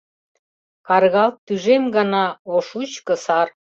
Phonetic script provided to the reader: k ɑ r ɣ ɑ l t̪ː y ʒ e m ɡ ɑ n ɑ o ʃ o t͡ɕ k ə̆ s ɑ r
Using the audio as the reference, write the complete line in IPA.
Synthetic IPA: k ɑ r ɣ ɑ l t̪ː y ʒ e m ɡ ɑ n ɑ o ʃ u t͡ɕ k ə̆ s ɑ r